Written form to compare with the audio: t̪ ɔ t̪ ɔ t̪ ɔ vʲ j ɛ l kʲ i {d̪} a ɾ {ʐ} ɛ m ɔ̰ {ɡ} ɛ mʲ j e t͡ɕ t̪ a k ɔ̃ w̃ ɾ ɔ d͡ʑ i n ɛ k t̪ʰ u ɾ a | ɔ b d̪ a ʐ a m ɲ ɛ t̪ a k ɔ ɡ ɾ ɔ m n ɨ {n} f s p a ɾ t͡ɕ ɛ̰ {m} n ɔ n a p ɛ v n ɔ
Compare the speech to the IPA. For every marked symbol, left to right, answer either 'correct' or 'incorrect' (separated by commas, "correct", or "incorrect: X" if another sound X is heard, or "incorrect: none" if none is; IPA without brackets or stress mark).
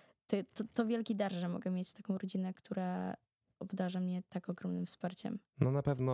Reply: correct, correct, correct, incorrect: m, correct